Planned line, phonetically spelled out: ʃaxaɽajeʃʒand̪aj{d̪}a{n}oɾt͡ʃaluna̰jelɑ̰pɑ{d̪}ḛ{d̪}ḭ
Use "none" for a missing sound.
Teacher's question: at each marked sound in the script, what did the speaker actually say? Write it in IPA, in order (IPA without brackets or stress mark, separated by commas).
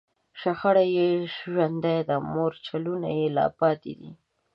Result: d̪, m, t̪, d̪